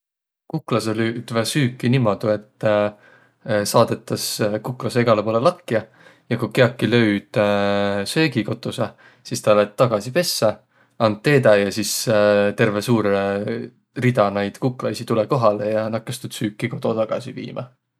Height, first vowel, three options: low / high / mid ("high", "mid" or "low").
high